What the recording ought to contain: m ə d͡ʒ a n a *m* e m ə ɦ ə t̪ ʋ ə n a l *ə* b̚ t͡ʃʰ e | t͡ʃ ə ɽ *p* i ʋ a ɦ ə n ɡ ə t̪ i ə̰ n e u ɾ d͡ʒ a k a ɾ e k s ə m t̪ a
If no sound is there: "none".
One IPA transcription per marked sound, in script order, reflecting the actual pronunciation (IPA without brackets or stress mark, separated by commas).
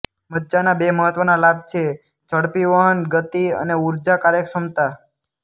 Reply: b, a, p